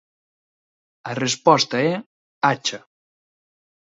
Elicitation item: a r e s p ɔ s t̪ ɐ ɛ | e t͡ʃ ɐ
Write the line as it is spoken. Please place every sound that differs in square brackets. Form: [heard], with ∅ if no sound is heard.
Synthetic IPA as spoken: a r e s p ɔ s t̪ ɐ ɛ | [a] t͡ʃ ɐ